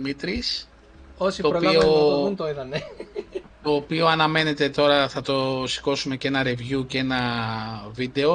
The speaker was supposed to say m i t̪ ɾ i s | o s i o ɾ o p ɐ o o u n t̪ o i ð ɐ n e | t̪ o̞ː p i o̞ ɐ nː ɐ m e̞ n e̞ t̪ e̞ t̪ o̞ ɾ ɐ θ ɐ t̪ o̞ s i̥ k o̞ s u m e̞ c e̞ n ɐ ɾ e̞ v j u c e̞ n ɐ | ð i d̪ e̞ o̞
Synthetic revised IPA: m i t̪ ɾ i s | o s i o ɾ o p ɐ o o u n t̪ o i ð ɐ n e | t̪ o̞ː p i o̞ ɐ n ɐ m e̞ n e̞ t̪ e̞ t̪ o̞ ɾ ɐ θ ɐ t̪ o̞ s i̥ k o̞ s u m e̞ c e̞ n ɐ ɾ e̞ v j u c e̞ n ɐ | v i d̪ e̞ o̞